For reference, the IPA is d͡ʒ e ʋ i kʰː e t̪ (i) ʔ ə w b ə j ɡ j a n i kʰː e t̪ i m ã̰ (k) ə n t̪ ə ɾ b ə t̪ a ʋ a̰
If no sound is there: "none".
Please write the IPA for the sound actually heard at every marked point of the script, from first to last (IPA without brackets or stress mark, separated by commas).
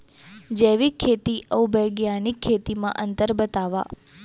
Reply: i, ʔ